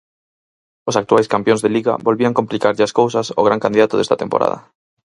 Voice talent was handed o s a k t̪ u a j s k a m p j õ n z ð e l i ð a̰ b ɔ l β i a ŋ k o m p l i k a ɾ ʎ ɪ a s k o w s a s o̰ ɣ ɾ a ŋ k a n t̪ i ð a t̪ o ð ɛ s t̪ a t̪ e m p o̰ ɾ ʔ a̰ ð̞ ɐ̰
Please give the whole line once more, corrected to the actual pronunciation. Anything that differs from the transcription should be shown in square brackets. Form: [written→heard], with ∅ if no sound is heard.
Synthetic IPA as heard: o s a k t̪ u a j s k a m p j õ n z ð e l i [ð→ɣ] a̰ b [ɔ→o] l β i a ŋ k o m p l i k a ɾ ʎ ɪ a s k o w s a s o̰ ɣ ɾ a ŋ k a n [t̪→d̪] i ð a t̪ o ð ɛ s t̪ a t̪ e m p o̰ ɾ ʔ a̰ ð̞ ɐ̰

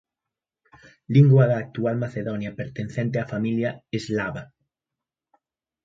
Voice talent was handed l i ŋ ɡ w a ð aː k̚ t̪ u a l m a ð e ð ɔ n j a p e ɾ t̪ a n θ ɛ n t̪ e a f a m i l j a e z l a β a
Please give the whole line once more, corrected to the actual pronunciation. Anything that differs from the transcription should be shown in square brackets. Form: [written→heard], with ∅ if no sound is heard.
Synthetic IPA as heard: l i ŋ ɡ w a ð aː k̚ t̪ u a l m a [ð→θ] e ð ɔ n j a p e ɾ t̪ [a→e] n θ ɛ n t̪ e a f a m i l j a e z l a β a

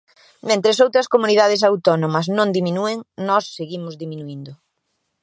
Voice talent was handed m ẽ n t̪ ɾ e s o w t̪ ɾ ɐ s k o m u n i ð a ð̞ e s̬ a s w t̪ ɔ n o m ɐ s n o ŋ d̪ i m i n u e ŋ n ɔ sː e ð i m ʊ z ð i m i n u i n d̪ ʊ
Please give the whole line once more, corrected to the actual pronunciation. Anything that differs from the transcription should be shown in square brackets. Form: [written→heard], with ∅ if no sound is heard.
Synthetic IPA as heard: m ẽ n t̪ ɾ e s o w t̪ ɾ ɐ s k o m u n i ð a ð̞ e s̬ a [s→∅] w t̪ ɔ n o m ɐ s n [o→õ] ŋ d̪ i m i n u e ŋ n ɔ sː e [ð→ɣ] i m ʊ z ð i m i n u i n d̪ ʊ

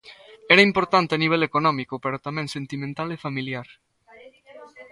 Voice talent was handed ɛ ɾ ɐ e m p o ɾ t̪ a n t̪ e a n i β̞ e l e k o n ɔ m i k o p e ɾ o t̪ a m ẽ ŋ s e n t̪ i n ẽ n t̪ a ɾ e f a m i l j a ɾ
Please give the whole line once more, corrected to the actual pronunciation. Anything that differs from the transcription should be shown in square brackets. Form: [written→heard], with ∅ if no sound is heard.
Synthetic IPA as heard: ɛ ɾ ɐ [e→i] m p o ɾ t̪ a n t̪ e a n i β̞ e l e k o n ɔ m i k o p e ɾ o t̪ a m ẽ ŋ s e n t̪ i [n→m] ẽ n t̪ a [ɾ→l] e f a m i l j a ɾ

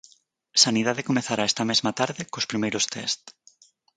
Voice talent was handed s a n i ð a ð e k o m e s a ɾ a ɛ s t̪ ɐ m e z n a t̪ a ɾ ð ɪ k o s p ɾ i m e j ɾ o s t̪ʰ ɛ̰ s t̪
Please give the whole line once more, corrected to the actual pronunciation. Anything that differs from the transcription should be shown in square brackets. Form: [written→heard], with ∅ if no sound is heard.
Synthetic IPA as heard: s a n i ð a ð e k o m e [s→θ] a ɾ a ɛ s t̪ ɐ m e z [n→m] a t̪ a ɾ ð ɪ k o s p ɾ i m e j ɾ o s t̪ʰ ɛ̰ s t̪

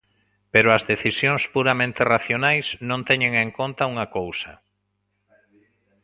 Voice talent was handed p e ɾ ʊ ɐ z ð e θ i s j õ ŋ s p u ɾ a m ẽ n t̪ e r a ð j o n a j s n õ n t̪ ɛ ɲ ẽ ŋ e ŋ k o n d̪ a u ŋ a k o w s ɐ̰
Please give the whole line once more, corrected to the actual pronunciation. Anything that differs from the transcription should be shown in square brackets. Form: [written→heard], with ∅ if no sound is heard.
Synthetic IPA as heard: p e ɾ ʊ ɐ z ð e θ i s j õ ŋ s p u ɾ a m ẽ n t̪ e r a [ð→θ] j o n a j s n õ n t̪ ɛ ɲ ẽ ŋ e ŋ k o n [d̪→t̪] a u ŋ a k o w s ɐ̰

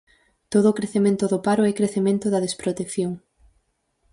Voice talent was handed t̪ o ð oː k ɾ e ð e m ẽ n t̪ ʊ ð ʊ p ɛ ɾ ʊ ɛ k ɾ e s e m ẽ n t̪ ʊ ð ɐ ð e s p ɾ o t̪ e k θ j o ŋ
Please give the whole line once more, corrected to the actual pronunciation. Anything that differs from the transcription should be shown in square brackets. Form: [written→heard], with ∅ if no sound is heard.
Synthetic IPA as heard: t̪ o ð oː k ɾ e [ð→θ] e m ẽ n t̪ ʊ ð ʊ p [ɛ→a] ɾ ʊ ɛ k ɾ e [s→θ] e m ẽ n t̪ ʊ ð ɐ ð e s p ɾ o t̪ e k θ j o ŋ

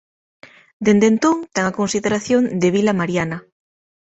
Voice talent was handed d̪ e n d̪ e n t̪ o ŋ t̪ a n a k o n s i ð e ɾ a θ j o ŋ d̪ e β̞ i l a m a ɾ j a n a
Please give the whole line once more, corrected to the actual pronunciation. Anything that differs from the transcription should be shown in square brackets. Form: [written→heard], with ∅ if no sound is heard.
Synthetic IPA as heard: d̪ e n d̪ e n t̪ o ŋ t̪ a [n→ŋ] a k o n s i ð e ɾ a θ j o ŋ d̪ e β̞ i l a m a ɾ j a n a

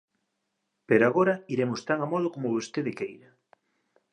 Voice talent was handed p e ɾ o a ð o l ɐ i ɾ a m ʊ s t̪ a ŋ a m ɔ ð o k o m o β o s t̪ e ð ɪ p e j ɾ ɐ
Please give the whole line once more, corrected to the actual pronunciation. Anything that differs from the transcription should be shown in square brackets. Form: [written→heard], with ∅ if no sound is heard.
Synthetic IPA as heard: p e ɾ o a [ð→ɣ] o [l→ɾ] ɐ i ɾ [a→e] m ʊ s t̪ a ŋ a m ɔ ð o k o m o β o s t̪ e ð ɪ [p→k] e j ɾ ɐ

